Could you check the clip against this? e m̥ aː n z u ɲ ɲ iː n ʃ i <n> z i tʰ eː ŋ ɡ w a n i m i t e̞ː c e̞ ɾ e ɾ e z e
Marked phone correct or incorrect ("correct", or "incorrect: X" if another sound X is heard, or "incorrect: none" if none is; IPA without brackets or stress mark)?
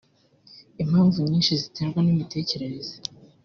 incorrect: none